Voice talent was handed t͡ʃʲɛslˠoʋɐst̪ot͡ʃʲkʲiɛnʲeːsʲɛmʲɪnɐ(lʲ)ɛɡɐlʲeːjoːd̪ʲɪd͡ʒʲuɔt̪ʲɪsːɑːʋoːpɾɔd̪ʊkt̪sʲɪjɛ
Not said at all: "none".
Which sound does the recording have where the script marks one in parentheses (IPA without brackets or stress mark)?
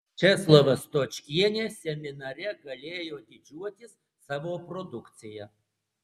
ɾʲ